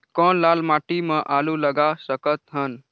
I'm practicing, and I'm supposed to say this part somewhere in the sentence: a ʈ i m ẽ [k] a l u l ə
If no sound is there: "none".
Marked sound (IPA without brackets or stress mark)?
ʔ